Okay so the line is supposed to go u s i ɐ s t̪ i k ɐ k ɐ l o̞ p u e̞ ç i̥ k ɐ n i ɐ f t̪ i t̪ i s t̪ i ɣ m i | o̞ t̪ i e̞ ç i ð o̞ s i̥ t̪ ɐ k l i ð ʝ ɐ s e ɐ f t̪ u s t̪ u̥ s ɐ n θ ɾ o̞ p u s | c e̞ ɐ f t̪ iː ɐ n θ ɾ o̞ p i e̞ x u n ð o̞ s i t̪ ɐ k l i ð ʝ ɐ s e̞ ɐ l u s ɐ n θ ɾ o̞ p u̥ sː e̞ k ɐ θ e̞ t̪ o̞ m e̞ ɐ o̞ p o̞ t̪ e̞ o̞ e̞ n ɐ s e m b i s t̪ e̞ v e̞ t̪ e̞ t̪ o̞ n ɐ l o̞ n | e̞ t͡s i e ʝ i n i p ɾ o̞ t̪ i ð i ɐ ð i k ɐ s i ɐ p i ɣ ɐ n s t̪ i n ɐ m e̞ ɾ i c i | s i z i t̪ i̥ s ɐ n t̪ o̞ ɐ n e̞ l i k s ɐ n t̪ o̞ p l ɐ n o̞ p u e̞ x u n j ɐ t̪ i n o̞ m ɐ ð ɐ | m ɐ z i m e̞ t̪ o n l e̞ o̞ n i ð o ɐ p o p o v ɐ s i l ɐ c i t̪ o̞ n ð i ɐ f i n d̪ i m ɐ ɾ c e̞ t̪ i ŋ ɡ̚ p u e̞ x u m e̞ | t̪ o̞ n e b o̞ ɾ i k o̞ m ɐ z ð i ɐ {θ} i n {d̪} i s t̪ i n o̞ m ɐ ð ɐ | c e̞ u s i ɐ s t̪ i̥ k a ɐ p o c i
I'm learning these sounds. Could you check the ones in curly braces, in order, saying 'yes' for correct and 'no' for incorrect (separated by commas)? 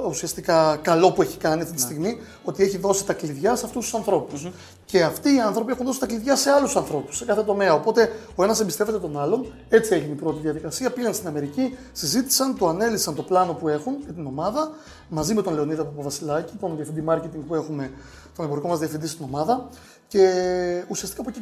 no, yes